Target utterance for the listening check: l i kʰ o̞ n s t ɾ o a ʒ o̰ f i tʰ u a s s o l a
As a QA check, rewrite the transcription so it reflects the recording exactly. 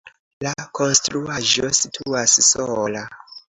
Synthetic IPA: l a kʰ o̞ n s t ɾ u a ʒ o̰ s i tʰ u a s s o l a